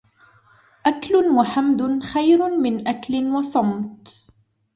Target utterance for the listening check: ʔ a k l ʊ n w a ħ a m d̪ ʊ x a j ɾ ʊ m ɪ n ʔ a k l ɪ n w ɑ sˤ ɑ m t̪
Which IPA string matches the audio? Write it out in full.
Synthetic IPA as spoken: ʔ a k l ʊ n w a ħ a m d̪ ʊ x a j ɾ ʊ m ɪ n ʔ a k l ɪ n w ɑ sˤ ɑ m t̪